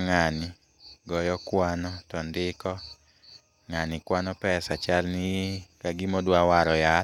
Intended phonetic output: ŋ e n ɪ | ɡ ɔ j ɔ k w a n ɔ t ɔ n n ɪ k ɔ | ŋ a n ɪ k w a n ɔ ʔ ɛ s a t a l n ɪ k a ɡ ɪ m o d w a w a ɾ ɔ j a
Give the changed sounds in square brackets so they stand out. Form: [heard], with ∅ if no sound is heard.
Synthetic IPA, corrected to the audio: ŋ [a] n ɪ | ɡ ɔ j ɔ k w a n ɔ t ɔ n [d] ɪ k ɔ | ŋ a n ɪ k w a n ɔ [p] ɛ s a [t͡ʃ] a l n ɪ k a ɡ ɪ m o d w a w a ɾ ɔ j a